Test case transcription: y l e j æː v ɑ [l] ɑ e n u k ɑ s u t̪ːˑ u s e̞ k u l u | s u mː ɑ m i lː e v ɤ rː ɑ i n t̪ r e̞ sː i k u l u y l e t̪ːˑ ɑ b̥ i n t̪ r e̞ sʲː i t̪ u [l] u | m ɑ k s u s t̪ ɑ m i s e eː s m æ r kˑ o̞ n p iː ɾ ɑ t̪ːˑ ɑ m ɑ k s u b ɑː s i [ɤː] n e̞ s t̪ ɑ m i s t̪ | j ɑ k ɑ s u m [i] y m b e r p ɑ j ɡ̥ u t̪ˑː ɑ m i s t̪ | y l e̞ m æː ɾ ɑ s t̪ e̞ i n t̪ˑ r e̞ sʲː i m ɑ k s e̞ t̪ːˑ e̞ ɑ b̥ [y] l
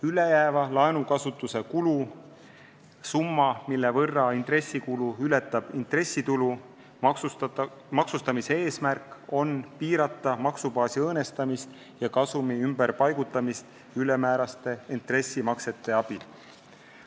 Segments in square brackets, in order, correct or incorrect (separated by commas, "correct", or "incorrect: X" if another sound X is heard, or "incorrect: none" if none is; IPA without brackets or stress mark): correct, correct, correct, correct, incorrect: i